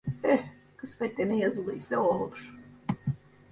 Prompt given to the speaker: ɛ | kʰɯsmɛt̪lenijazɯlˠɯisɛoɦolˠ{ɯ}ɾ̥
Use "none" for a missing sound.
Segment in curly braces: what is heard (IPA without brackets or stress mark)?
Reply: u